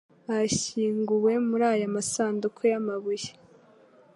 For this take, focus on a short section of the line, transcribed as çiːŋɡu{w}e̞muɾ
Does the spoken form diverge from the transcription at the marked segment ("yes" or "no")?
no